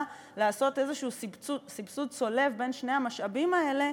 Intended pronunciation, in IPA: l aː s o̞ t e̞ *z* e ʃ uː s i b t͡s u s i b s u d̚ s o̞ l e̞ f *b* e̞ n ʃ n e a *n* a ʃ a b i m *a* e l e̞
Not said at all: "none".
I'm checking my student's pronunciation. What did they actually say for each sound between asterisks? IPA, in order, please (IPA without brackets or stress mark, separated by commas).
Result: z, b, m, a